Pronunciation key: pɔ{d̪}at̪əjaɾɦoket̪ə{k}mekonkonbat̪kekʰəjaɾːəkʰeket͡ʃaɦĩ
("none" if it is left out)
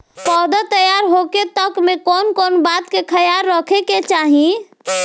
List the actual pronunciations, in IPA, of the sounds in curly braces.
d̪, k

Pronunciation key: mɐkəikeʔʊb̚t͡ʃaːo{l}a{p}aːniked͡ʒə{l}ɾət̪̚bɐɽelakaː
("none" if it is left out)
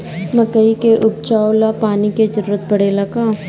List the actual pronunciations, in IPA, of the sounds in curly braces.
l, p, ɾ

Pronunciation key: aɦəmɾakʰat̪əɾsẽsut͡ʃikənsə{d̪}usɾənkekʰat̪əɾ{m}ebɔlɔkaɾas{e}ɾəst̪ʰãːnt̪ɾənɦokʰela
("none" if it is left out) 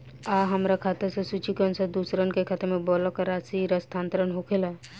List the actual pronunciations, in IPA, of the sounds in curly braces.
d̪, m, i

